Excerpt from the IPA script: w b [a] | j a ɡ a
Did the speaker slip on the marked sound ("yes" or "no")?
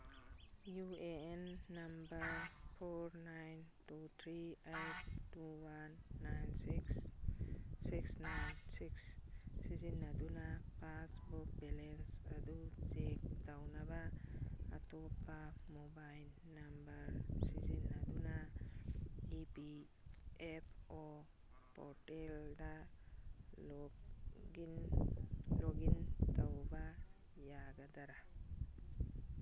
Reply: no